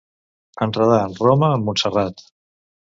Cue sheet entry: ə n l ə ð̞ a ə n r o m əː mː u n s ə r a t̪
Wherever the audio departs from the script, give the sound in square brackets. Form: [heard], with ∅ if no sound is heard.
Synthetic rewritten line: ə n [r] ə ð̞ a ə n r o m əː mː u n s ə r a t̪